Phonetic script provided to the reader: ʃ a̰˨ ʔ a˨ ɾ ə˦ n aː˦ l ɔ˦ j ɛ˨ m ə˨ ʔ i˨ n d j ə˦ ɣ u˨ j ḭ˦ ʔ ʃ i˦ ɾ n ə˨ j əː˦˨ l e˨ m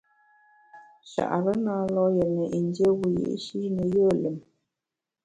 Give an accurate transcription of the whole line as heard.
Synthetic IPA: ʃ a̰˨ ʔ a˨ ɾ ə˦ n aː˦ l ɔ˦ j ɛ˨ n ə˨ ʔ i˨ n d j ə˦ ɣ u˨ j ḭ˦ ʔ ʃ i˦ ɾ n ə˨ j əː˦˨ l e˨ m